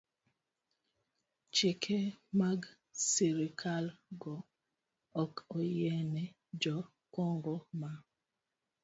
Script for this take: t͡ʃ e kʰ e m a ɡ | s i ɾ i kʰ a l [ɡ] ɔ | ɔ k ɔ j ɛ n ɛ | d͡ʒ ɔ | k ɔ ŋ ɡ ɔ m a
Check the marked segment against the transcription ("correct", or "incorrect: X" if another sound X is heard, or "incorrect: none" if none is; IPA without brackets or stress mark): correct